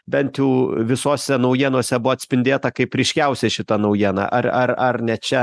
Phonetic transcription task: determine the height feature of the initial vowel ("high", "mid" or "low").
mid